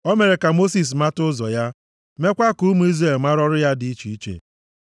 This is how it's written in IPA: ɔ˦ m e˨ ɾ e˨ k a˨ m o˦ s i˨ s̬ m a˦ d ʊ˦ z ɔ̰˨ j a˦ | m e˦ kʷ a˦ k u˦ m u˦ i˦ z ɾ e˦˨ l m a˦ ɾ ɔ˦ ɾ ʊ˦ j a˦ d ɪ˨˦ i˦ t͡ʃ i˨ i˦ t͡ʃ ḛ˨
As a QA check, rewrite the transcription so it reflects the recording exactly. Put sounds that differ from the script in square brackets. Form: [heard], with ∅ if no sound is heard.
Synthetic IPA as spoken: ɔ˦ m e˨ ɾ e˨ k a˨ m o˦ s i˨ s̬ m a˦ [t] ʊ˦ z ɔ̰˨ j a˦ | m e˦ kʷ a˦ k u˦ m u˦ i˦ z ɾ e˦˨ l m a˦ ɾ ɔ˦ ɾ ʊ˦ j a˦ d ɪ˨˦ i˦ t͡ʃ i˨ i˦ t͡ʃ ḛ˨